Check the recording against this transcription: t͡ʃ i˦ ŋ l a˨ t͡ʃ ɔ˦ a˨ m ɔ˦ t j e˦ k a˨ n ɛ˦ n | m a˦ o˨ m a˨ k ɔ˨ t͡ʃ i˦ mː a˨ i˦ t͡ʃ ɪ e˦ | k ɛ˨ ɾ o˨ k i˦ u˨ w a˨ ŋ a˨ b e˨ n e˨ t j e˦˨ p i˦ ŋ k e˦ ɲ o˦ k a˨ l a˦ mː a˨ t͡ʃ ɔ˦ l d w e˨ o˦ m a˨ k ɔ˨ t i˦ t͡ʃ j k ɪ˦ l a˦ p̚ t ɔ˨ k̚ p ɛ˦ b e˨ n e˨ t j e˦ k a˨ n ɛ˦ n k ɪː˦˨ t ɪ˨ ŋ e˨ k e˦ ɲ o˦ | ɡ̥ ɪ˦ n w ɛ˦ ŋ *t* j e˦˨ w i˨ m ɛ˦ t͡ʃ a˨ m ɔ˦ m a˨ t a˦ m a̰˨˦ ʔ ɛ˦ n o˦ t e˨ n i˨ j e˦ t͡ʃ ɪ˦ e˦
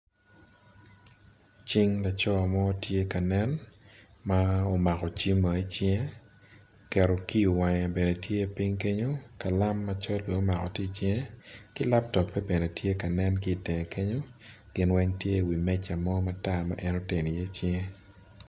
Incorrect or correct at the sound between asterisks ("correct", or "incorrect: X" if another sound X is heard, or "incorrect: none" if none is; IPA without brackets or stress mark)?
correct